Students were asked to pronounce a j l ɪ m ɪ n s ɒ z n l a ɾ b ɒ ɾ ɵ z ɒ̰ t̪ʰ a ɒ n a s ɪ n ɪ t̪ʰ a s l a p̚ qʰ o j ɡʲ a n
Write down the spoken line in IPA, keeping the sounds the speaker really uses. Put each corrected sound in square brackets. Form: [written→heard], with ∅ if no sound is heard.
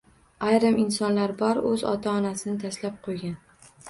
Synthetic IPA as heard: a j [l→ɾ] ɪ m ɪ n s ɒ [z→∅] n l a ɾ b ɒ ɾ ɵ z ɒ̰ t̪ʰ a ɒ n a s ɪ n ɪ t̪ʰ a s l a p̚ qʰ o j ɡʲ a n